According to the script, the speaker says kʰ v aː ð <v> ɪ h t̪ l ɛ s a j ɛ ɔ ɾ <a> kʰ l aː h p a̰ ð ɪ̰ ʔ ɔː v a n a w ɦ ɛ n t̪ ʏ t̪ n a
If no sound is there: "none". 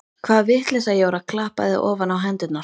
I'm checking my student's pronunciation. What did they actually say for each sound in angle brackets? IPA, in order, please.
v, a

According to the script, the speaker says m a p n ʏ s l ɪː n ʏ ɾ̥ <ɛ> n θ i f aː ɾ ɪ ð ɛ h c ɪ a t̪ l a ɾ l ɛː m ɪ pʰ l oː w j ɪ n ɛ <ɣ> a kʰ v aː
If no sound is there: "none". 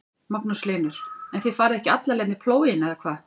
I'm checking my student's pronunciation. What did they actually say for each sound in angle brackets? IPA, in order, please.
ɛ, ð

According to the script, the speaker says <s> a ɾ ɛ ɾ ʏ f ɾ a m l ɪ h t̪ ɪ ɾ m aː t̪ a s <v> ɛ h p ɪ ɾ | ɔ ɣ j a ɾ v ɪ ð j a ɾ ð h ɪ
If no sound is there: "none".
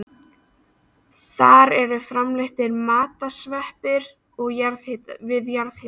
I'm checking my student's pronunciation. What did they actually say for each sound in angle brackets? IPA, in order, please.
θ, v

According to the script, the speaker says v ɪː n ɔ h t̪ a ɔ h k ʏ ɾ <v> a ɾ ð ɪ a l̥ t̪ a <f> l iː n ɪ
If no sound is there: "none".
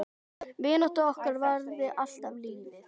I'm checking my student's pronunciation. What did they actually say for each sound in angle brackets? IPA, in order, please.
v, v

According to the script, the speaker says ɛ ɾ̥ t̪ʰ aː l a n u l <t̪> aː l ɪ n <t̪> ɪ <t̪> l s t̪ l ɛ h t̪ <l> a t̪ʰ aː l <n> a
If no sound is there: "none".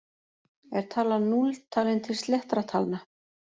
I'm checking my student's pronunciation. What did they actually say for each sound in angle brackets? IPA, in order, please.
t̪ʰ, t̪ʰ, none, ɾ, n

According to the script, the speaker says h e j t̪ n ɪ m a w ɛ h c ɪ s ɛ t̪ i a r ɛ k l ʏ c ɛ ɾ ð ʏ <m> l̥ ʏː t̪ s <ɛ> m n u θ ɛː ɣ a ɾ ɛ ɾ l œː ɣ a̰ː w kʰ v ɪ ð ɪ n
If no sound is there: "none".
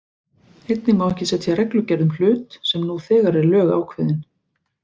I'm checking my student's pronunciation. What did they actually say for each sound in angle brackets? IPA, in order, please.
m, ɛ

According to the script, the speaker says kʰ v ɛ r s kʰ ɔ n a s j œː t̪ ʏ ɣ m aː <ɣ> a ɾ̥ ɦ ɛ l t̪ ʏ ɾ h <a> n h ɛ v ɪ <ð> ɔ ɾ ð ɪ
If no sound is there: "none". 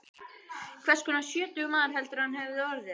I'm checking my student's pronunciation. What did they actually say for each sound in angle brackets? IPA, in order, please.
ð, a, ð

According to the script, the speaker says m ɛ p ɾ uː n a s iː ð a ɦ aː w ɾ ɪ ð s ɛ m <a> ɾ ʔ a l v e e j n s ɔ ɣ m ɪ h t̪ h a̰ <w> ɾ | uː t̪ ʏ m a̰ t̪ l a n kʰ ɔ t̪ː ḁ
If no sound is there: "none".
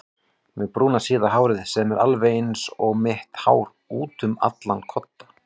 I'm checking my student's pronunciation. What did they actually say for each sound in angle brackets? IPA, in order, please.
ɛ, w

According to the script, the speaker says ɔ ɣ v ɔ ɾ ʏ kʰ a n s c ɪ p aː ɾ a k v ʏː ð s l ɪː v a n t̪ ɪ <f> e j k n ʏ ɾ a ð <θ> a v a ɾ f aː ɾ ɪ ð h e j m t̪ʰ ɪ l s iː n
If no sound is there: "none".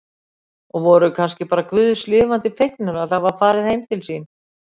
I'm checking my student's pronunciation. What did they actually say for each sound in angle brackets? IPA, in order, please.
f, θ

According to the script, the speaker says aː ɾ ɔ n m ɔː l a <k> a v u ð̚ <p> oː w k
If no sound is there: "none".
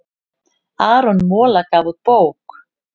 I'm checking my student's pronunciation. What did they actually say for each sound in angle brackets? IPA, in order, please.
k, p

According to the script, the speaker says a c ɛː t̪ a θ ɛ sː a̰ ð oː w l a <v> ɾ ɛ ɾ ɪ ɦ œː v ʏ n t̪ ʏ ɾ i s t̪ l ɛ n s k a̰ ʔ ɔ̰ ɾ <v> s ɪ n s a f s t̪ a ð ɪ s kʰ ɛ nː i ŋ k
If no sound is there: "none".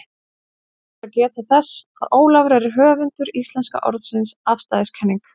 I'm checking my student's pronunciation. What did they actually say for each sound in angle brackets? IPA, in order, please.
v, ð

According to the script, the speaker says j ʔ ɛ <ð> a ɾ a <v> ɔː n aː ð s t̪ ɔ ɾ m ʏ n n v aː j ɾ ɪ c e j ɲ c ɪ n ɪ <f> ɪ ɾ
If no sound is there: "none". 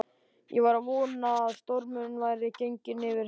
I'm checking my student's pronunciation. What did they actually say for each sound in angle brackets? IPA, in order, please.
v, v, v

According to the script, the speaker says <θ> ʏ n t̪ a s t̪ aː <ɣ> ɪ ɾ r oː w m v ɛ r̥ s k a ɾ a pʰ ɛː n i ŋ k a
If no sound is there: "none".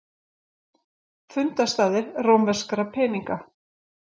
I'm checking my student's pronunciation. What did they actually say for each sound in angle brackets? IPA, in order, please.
f, ð

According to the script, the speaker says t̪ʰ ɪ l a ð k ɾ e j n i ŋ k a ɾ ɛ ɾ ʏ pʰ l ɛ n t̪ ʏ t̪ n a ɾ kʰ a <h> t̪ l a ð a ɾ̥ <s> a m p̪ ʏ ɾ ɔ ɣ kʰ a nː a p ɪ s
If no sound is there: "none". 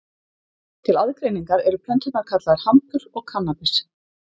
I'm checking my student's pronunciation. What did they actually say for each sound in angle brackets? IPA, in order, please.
none, h

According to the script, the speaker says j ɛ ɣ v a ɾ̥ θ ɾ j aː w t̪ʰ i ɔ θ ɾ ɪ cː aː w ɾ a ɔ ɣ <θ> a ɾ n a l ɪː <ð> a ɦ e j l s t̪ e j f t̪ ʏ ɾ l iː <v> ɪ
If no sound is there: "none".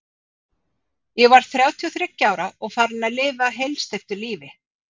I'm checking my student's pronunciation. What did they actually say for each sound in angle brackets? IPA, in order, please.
f, v, v

